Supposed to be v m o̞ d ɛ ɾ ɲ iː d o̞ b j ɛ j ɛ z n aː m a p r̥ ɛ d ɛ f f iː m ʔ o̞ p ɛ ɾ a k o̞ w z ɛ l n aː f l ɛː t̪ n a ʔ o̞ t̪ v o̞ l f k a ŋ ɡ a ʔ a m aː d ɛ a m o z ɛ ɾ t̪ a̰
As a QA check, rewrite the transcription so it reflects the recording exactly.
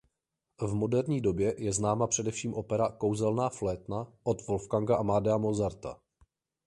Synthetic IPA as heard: v m o̞ d ɛ ɾ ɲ iː d o̞ b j ɛ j ɛ z n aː m a p r̥ ɛ d ɛ f ʃ iː m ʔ o̞ p ɛ ɾ a k o̞ w z ɛ l n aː f l ɛː t̪ n a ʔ o̞ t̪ v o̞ l f k a ŋ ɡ a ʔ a m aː d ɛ a m o z a ɾ t̪ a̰